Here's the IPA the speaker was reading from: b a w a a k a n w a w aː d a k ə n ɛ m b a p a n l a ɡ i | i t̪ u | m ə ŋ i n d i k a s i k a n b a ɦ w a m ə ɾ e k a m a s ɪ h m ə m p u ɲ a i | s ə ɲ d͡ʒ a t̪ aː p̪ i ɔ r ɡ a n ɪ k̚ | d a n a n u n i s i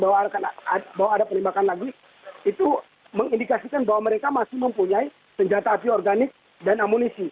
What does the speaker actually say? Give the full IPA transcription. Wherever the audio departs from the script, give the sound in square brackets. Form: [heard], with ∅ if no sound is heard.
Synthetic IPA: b a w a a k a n [b] a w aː d a [p] ə n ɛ m b a [k] a n l a ɡ i | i t̪ u | m ə ŋ i n d i k a s i k a n b a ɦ w a m ə ɾ e k a m a s ɪ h m ə m p u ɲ a i | s ə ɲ d͡ʒ a t̪ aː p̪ i ɔ r ɡ a n ɪ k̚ | d a n a [m] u n i s i